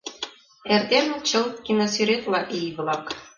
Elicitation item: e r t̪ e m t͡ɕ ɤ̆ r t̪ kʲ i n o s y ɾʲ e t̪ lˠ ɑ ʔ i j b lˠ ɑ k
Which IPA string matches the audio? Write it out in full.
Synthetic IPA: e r d̪ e m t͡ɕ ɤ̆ l t̪ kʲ i n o s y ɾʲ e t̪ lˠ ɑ ʔ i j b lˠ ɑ k

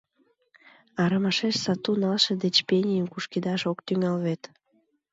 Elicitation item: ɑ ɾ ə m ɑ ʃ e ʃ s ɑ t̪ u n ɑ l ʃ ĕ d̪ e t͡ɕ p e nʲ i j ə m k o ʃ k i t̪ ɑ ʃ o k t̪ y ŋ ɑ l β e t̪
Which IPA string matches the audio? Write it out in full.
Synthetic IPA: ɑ ɾ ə m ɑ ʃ e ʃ s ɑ t̪ u n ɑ l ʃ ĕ d̪ e t͡ɕ p e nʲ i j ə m k u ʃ k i d̪ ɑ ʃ o k t̪ y ŋ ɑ l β e t̪

